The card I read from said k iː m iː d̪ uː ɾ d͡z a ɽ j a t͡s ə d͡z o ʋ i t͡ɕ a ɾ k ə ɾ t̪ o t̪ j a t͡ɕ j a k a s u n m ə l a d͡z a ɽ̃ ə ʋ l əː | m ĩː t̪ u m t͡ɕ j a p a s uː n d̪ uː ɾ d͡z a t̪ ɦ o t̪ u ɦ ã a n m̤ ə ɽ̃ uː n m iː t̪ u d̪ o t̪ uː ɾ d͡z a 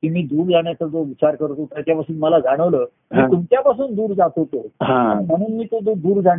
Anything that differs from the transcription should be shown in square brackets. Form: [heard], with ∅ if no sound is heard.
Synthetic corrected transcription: k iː m iː d̪ uː ɾ d͡z a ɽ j a t͡s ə d͡z o ʋ i t͡ɕ a ɾ k ə ɾ t̪ o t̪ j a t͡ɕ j a [p] a s [uː] n m ə l a d͡z a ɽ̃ ə ʋ l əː | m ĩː t̪ u m t͡ɕ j a p a s uː n d̪ uː ɾ d͡z a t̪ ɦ o t̪ [o] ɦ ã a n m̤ ə ɽ̃ uː n m iː t̪ [o] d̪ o [d̪] uː ɾ d͡z a